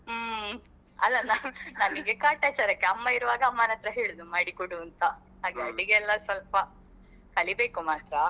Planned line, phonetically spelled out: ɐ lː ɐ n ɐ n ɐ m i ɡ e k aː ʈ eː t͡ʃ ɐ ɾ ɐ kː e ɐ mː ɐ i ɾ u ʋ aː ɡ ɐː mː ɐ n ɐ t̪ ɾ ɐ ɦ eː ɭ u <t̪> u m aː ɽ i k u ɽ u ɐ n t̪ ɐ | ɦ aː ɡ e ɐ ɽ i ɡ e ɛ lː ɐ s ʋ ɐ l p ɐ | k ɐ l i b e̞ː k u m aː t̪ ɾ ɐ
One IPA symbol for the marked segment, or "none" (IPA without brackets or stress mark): d̪